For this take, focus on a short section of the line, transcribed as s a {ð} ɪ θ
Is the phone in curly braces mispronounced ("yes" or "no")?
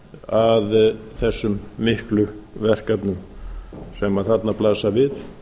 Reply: yes